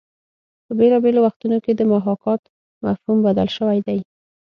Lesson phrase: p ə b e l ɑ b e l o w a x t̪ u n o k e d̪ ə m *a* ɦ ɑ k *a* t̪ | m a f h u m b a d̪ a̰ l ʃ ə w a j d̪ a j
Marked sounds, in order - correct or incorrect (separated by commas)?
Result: correct, incorrect